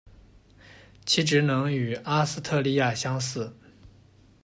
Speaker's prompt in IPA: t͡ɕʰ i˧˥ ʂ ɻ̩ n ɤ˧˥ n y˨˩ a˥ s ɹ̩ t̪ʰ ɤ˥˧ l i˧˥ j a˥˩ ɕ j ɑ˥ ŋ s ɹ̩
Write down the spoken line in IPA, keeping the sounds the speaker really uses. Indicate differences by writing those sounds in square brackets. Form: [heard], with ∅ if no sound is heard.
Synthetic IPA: t͡ɕʰ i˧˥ [ʈ͡ʂ] ɻ̩ n ɤ˧˥ [ŋ] y˨˩ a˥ s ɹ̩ t̪ʰ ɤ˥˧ l [i˥˧] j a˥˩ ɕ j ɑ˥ ŋ s ɹ̩